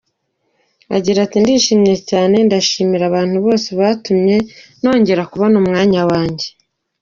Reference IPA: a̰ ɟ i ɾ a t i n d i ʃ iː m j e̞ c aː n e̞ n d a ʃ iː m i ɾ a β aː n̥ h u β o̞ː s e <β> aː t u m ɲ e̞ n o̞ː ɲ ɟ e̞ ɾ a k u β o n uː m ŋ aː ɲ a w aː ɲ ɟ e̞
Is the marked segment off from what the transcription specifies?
no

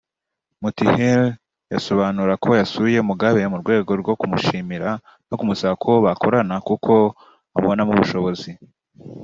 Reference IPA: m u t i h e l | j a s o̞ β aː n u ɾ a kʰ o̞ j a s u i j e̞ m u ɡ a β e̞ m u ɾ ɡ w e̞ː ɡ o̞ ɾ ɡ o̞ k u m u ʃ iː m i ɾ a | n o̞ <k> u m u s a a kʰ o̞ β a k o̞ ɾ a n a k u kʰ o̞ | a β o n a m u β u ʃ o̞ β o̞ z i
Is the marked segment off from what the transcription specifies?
no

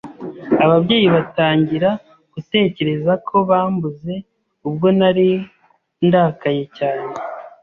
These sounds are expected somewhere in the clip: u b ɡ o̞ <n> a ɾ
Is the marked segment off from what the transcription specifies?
no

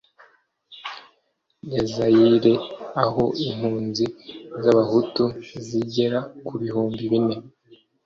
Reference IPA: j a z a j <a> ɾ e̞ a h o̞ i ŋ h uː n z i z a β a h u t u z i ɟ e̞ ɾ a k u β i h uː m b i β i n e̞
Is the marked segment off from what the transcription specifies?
yes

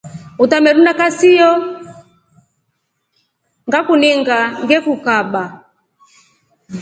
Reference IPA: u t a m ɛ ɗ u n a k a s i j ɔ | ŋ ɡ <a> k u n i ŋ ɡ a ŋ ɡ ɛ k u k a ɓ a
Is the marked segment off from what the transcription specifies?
no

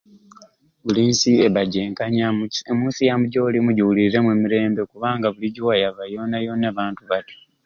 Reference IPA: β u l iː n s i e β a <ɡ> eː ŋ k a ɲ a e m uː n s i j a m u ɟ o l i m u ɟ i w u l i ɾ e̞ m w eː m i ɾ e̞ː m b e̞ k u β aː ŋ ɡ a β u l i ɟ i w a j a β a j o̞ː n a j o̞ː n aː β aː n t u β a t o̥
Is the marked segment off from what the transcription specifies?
yes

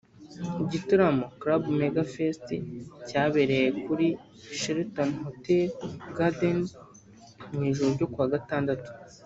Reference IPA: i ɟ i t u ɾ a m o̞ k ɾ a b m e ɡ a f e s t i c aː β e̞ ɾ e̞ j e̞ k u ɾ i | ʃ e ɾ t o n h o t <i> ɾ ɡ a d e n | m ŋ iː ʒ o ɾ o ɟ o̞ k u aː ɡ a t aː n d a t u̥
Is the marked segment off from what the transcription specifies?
yes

